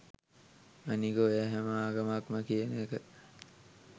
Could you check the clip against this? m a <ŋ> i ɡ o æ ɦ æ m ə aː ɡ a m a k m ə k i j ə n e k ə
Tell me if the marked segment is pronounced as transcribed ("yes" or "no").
no